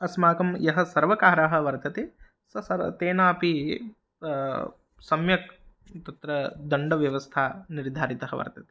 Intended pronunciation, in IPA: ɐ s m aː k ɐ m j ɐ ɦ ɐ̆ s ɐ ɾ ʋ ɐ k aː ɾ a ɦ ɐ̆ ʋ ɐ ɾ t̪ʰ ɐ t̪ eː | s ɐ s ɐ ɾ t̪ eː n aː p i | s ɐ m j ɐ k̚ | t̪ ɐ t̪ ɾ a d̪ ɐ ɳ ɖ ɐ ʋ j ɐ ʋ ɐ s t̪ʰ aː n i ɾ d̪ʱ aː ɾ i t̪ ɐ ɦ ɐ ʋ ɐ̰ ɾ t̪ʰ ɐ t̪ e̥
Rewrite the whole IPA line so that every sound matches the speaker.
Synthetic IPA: ɐ s m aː k ɐ m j ɐ ɦ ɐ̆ s ɐ ɾ ʋ ɐ k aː ɾ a ɦ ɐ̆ ʋ ɐ ɾ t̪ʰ ɐ t̪ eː | s ɐ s ɐ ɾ t̪ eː n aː p i | s ɐ m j ɐ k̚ | t̪ ɐ t̪ ɾ ɐ d̪ ɐ ɳ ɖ ɐ ʋ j ɐ ʋ ɐ s t̪ʰ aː n i ɾ d̪ʱ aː ɾ i t̪ ɐ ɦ ɐ ʋ ɐ̰ ɾ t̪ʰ ɐ t̪ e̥